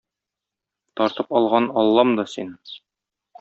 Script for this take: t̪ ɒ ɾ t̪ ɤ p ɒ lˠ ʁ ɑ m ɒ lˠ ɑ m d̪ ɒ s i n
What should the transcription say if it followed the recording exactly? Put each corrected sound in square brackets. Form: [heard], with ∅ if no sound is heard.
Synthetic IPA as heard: t̪ ɒ ɾ t̪ ɤ p ɒ lˠ ʁ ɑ [n] ɒ [lˠː] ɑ m d̪ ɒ s i n

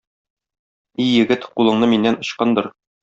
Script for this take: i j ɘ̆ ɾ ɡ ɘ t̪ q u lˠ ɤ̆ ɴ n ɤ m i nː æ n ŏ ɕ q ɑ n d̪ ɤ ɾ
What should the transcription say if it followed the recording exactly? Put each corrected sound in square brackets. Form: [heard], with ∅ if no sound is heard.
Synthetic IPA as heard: i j ɘ̆ [∅] ɡ ɘ t̪ q u lˠ ɤ̆ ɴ n ɤ m i nː æ n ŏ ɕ q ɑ n d̪ ɤ ɾ

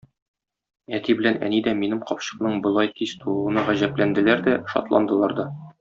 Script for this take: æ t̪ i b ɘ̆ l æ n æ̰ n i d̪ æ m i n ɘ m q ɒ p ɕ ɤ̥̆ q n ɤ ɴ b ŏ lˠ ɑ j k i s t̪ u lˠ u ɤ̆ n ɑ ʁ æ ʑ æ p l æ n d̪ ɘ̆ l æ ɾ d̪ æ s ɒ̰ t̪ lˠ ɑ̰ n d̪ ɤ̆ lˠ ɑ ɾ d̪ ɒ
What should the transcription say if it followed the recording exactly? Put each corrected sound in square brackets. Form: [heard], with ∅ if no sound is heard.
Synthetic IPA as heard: æ t̪ i b ɘ̆ l æ n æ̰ n i d̪ æ m i n ɘ m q ɒ p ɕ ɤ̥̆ q n ɤ ɴ b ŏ lˠ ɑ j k i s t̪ u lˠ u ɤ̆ n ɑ ʁ æ ʑ æ p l æ n d̪ ɘ̆ l æ ɾ d̪ æ [ʃ] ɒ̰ t̪ lˠ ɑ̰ n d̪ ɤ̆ lˠ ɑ ɾ d̪ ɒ

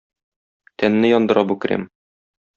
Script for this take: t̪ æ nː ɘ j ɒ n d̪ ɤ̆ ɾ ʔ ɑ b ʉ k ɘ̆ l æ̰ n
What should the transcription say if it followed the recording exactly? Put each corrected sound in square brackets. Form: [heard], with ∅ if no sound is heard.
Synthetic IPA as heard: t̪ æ nː ɘ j ɒ n d̪ ɤ̆ ɾ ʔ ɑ b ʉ k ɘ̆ [ɾ] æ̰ [m]

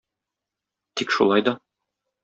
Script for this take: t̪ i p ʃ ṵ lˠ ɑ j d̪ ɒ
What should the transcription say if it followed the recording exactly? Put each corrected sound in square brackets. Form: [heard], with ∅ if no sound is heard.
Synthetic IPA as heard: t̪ i [k] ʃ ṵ lˠ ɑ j d̪ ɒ

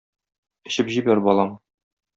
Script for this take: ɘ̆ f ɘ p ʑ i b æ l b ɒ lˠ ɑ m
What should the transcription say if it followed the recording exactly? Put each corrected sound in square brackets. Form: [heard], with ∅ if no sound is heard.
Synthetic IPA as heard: ɘ̆ [ɕ] ɘ p ʑ i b æ [ɾ] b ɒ lˠ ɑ m

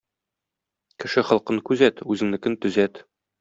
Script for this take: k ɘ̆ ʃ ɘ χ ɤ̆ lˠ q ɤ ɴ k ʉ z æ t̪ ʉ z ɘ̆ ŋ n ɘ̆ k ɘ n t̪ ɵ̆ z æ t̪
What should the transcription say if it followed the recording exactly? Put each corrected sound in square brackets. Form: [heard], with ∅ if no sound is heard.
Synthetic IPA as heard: k ɘ̆ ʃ ɘ χ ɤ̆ lˠ q ɤ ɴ k ʉ z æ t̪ ʉ z ɘ̆ ŋ n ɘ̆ k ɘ n t̪ ɵ̆ z æ t̪

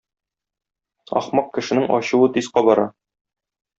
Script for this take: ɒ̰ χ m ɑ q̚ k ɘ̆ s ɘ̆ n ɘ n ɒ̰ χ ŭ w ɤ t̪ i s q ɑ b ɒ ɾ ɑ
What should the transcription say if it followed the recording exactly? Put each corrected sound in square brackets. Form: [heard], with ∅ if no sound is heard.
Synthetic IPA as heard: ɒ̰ χ m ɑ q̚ k ɘ̆ [ʃ] ɘ̆ n ɘ [ŋ] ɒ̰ [ɕ] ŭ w ɤ t̪ i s q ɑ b ɒ ɾ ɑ

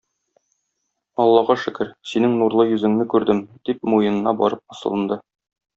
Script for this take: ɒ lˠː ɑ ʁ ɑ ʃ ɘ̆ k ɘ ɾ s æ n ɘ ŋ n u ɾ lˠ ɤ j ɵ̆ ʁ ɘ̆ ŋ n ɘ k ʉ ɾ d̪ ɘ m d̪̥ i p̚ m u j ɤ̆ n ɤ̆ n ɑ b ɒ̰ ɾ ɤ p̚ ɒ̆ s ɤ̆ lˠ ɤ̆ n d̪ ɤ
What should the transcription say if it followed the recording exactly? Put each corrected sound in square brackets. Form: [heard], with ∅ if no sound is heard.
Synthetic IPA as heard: ɒ lˠː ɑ ʁ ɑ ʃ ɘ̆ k ɘ ɾ s [i] n ɘ ŋ n u ɾ lˠ ɤ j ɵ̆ [z] ɘ̆ ŋ n ɘ k ʉ ɾ d̪ ɘ m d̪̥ i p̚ m u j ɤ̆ n ɤ̆ n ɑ b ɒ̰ ɾ ɤ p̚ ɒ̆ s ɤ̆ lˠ ɤ̆ n d̪ ɤ

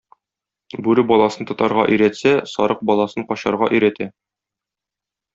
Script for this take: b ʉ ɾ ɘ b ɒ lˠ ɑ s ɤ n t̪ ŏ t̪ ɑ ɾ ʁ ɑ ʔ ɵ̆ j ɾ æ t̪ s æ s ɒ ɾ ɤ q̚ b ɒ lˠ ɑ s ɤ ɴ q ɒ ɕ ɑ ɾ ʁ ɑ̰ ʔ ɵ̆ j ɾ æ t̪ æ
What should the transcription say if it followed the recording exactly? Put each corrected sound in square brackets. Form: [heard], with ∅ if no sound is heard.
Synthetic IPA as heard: b ʉ ɾ ɘ b ɒ lˠ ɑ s ɤ n t̪ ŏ t̪ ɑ ɾ ʁ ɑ ʔ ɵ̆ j ɾ æ t̪ s æ s ɒ ɾ ɤ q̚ b ɒ lˠ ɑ s ɤ ɴ q ɒ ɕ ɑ ɾ ʁ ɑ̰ ʔ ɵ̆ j ɾ æ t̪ æ

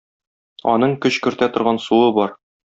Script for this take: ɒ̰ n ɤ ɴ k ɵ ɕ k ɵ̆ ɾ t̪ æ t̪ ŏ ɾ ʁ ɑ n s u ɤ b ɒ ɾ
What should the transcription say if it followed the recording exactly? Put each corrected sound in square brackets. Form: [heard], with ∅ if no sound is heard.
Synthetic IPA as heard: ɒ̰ n ɤ ɴ k ɵ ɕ k ɵ̆ ɾ t̪ æ t̪ ŏ ɾ ʁ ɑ n s u ɤ b ɒ ɾ

